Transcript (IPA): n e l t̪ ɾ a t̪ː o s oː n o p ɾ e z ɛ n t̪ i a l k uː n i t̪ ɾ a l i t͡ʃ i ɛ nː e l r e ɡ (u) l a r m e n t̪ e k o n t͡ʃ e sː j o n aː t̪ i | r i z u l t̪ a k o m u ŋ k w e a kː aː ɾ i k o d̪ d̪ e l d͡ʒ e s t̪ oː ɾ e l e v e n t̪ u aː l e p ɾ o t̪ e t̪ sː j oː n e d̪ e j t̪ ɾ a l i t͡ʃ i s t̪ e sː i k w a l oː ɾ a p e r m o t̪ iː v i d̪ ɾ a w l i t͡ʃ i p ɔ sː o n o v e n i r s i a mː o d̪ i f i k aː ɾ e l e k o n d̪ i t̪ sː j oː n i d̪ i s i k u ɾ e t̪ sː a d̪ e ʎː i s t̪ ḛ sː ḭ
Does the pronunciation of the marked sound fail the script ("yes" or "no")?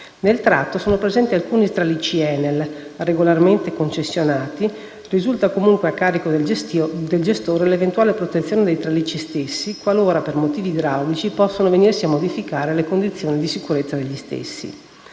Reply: yes